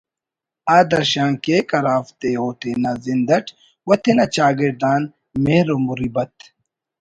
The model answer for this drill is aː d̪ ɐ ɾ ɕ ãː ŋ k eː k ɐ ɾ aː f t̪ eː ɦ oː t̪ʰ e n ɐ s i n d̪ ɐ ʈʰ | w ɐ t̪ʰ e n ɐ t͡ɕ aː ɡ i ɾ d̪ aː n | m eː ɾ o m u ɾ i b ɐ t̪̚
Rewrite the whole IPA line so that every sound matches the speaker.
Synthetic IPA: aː d̪ ɐ ɾ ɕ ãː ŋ k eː k ɐ ɾ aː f t̪ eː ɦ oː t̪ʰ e n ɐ z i n d̪ ɐ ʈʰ | w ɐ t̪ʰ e n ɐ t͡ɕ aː ɡ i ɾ d̪ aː n | m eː ɾ o m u ɾ i b ɐ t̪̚